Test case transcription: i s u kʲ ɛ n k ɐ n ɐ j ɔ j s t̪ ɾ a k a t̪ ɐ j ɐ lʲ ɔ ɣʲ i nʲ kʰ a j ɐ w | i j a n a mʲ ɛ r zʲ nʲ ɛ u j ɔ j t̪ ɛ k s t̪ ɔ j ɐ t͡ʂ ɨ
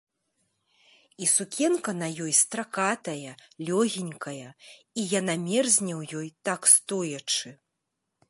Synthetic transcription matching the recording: i s u kʲ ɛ n k ɐ n ɐ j ɔ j s t̪ ɾ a k a t̪ ɐ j ɐ lʲ ɔ ɣʲ i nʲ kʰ ɐ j ɐ | i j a n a mʲ ɛ r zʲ nʲ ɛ w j ɔ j t̪ a k s t̪ ɔ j ɐ t͡ʂ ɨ

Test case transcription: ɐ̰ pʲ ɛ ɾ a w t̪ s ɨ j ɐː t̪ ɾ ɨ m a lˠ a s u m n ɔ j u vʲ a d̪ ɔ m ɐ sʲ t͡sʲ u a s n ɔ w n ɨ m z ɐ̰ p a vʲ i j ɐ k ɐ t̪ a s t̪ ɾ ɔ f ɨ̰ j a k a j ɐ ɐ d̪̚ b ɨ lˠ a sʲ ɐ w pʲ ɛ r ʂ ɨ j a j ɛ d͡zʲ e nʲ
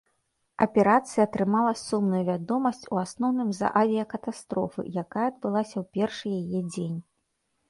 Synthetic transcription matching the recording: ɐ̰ pʲ ɛ ɾ a t̪ s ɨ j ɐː t̪ ɾ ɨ m a lˠ ɐ s u m n u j u vʲ a d̪ ɔ m ɐ sʲ t͡sʲ u a s n ɔ w n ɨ m z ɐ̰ ʔ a vʲ i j ɐ k ɐ t̪ a s t̪ ɾ ɔ f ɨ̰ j a k a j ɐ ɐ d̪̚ b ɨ lˠ a sʲ ɐ w pʲ ɛ r ʂ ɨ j a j ɛ d͡zʲ e nʲ

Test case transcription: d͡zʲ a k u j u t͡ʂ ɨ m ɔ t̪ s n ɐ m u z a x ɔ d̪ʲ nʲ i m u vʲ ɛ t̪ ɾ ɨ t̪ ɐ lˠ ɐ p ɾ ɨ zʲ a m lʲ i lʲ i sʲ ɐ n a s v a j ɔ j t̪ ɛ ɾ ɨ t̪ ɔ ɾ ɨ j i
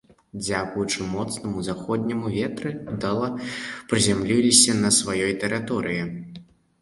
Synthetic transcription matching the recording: d͡zʲ a k u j u t͡ʂ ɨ m ɔ t̪ s n ɐ m u z a x ɔ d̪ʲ nʲ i m u vʲ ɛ t̪ ɾ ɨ d̪ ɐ lˠ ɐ p ɾ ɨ zʲ a m lʲ i lʲ i sʲ ɐ n ɐ s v a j ɔ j t̪ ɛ ɾ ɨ t̪ ɔ ɾ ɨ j i

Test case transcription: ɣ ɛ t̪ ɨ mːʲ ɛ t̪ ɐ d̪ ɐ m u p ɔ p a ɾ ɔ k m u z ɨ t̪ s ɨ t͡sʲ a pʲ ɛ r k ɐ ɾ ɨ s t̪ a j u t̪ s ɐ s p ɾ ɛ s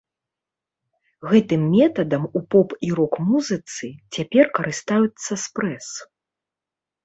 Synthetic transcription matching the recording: ɣ ɛ t̪ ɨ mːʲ ɛ t̪ ɐ d̪ ɐ m u p ɔ p i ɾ ɔ k m u z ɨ t̪ s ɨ t͡sʲ a pʲ ɛ r k ɐ ɾ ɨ s t̪ a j u t̪ sː ɐ s p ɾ ɛ s

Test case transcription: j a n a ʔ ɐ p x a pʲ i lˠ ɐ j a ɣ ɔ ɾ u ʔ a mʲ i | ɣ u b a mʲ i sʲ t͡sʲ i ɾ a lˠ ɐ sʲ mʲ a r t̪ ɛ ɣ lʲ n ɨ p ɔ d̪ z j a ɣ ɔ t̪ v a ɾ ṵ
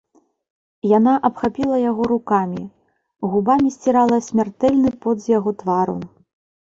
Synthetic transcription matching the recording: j a n a ʔ ɐ p x a pʲ i lˠ ɐ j a ɣ ɔ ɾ u k a mʲ i | ɣ u b a mʲ i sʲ t͡sʲ i ɾ a lˠ ɐ sʲ mʲ a r t̪ ɛ lʲ n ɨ p ɔ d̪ z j a ɣ ɔ t̪ v a ɾ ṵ

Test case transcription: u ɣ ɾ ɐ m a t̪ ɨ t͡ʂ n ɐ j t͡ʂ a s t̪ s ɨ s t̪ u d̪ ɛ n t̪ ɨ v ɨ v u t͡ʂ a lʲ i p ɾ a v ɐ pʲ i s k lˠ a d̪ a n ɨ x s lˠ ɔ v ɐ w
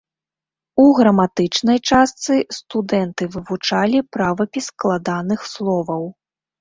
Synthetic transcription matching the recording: u ɣ ɾ ɐ m a t̪ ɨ t͡ʂ n ɐ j t͡ʂ a s t̪ s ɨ s t̪ u d̪ ɛ n t̪ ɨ v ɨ v u t͡ʂ a lʲ i p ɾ a v ɐ pʲ i s k lˠ a d̪ a n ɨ x s lˠ ɔ v ɐ w

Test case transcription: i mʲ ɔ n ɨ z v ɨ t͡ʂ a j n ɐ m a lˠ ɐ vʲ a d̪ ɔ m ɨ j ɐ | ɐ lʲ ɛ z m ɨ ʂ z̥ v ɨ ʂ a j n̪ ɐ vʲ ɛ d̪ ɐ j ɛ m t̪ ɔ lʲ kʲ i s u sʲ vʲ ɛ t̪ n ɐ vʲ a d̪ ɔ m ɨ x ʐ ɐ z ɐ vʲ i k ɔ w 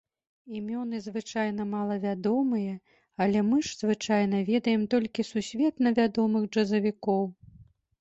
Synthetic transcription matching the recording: i mʲ ɔ n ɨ z v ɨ t͡ʂ a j n ɐ m a lˠ ɐ vʲ a d̪ ɔ m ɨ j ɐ | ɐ lʲ ɛ m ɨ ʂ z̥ v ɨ t͡ʂ a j n̪ ɐ vʲ ɛ d̪ ɐ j ɛ m t̪ ɔ lʲ kʲ i s u sʲ vʲ ɛ t̪ n ɐ vʲ a d̪ ɔ m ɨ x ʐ ɐ z ɐ vʲ i k ɔ w

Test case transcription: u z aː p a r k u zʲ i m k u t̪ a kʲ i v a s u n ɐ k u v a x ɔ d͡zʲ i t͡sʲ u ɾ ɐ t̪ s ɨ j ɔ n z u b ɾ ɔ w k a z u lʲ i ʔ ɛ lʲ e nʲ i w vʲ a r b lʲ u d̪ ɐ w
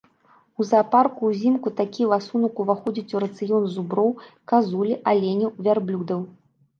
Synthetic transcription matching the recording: u z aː p a r k u zʲ i m k u t̪ a kʲ i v a s u n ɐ k u v a x ɔ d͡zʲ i t͡sʲ u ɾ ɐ t̪ s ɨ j ɔ n z u b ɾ ɔ w k a z u lʲ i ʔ a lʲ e nʲ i w vʲ a r b lʲ u d̪ ɐ w

